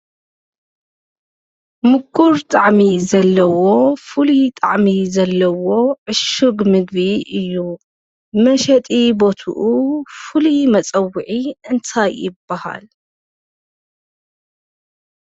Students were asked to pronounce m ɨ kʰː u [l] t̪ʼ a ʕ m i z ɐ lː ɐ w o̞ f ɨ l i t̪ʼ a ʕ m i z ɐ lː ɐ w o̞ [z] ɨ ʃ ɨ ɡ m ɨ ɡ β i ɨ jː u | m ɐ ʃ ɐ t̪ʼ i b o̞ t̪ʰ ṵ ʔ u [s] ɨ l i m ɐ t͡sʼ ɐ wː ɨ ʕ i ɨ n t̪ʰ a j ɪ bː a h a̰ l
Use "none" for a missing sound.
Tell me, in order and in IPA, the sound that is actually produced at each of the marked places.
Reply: ɾ, ʕ, f

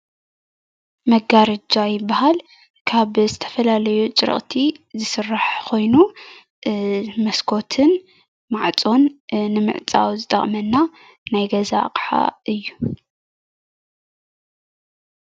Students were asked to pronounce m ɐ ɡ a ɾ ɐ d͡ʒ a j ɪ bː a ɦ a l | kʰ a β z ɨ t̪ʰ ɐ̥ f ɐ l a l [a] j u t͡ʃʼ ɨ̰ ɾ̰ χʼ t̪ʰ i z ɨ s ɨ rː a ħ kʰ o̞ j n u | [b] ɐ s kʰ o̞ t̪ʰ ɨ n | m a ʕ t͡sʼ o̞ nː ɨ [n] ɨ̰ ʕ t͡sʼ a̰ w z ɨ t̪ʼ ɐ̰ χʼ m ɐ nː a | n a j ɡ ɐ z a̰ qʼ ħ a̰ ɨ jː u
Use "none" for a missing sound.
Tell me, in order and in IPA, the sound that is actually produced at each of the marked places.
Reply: ɐ, m, m

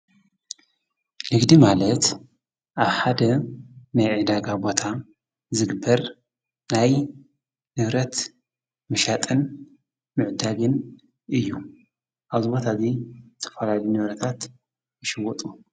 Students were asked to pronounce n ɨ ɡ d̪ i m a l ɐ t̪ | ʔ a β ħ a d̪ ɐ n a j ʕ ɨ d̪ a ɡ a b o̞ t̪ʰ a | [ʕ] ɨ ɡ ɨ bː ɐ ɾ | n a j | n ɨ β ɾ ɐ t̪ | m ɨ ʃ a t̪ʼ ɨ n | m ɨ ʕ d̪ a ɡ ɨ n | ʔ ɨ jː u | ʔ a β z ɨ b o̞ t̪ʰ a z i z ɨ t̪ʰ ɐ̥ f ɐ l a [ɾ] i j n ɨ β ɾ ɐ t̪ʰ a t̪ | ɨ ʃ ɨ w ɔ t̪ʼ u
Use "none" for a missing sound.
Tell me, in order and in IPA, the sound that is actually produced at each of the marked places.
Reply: z, l

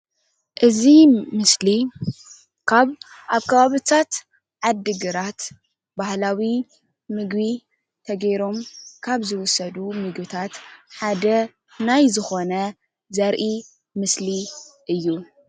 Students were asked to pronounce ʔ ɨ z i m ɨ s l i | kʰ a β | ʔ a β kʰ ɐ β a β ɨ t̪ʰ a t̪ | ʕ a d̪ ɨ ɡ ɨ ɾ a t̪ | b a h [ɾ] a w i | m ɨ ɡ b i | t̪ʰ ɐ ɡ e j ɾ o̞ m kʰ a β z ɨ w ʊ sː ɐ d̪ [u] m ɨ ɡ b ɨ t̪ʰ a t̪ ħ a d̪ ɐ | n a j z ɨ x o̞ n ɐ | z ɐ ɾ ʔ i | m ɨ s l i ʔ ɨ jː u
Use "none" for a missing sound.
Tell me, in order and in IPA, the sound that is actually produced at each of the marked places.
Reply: l, u

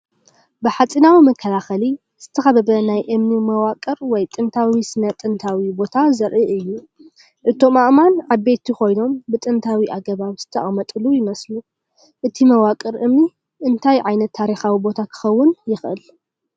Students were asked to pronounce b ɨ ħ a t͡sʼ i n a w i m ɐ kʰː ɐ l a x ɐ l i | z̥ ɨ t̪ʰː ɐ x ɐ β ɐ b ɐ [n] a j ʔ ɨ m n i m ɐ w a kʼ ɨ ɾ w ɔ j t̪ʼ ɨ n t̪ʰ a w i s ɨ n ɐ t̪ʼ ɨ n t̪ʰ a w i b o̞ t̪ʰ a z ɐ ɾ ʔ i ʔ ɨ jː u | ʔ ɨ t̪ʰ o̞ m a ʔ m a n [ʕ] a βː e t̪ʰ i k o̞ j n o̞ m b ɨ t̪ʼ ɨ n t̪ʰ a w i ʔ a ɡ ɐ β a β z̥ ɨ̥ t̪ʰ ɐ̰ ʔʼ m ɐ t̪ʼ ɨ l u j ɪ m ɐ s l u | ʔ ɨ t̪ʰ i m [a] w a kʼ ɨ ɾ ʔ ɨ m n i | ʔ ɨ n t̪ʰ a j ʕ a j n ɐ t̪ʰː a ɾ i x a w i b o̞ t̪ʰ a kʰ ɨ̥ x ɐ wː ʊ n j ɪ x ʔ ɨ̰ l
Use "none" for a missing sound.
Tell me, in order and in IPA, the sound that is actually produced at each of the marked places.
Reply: n, ʕ, ɐ

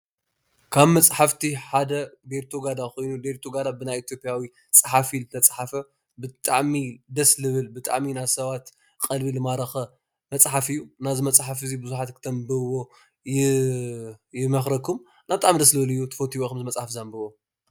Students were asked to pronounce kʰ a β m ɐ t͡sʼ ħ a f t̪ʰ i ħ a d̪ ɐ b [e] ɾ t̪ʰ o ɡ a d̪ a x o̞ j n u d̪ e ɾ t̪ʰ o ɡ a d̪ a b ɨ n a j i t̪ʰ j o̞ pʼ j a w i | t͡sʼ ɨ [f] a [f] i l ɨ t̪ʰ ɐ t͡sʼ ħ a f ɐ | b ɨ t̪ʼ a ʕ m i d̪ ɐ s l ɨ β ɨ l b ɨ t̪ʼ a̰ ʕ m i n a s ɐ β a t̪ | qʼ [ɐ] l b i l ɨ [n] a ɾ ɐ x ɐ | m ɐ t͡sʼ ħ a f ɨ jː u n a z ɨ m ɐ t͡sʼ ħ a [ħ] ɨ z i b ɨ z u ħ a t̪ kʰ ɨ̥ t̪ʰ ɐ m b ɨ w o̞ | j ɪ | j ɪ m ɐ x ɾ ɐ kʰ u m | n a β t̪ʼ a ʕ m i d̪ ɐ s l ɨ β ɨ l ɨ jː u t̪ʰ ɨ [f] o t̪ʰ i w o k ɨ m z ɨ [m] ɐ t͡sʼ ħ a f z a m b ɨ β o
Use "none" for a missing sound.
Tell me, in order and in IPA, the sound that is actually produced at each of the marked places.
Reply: e, ħ, f, ɐ, m, f, f, m

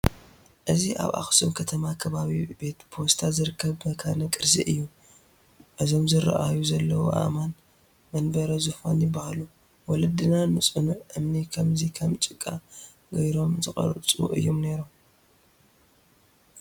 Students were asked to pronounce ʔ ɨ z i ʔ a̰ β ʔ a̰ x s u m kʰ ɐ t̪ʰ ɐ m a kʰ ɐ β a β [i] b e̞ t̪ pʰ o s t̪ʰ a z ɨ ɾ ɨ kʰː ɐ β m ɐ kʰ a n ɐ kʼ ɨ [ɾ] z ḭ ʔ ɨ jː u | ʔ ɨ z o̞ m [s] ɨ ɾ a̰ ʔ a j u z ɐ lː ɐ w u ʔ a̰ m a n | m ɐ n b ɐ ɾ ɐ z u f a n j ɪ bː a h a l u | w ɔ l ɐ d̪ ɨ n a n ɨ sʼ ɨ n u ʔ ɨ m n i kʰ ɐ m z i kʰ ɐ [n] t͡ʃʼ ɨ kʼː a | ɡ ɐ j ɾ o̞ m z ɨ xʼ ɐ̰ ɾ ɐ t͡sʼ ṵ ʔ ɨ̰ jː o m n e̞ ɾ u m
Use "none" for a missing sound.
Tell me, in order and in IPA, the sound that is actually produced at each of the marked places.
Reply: i, ɾ, z, m

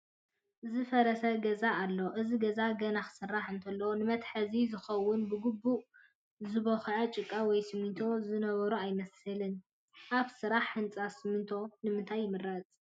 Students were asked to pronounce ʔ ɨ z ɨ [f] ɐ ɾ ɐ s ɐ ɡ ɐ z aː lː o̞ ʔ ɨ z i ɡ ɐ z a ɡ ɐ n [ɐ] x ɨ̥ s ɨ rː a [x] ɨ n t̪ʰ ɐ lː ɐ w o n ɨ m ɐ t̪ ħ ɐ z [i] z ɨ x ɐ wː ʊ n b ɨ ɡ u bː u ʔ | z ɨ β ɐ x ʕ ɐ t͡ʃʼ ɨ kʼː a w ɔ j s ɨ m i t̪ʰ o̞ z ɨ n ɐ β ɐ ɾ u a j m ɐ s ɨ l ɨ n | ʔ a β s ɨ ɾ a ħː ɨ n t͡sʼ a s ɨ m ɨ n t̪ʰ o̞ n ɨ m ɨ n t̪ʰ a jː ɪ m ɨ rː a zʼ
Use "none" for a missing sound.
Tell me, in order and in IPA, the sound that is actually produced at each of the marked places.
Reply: f, a, ħ, i

